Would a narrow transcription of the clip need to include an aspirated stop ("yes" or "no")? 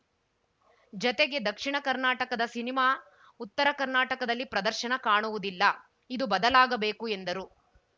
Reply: no